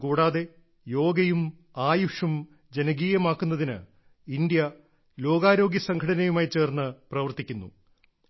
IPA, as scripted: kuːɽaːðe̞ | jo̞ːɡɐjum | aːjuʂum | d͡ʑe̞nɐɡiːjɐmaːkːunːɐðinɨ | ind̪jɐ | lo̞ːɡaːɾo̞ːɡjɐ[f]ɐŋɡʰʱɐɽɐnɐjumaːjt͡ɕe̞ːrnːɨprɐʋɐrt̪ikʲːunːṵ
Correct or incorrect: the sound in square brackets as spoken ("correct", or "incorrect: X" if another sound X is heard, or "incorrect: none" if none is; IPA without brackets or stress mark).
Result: incorrect: s